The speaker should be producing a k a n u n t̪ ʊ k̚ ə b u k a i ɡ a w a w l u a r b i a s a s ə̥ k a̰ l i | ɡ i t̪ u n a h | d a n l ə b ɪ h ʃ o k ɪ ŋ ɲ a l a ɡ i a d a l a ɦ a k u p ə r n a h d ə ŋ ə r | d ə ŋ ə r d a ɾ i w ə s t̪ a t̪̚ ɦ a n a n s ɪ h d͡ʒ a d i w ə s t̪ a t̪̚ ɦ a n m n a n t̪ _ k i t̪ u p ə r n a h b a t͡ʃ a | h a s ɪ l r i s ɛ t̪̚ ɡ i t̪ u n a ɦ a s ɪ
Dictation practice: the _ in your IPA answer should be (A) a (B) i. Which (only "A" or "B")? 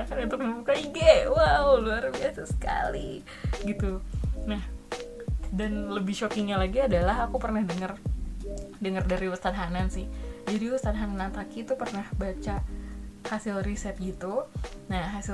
A